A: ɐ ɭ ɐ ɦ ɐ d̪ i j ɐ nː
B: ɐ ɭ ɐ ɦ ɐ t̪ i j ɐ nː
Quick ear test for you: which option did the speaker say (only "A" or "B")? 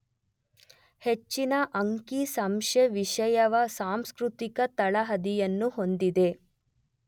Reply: A